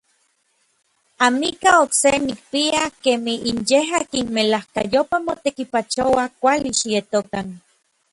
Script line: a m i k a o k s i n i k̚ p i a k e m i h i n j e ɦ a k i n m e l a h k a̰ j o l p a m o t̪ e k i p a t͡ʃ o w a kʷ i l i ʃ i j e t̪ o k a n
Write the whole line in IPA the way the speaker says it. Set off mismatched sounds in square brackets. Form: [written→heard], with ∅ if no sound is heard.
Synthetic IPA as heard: a m i k a o k s [i→e] n i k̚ p i a k e m i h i n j e ɦ a k i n m e l a h k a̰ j o [l→∅] p a m o t̪ e k i p a t͡ʃ o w a kʷ [i→a] l i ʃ i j e t̪ o k a n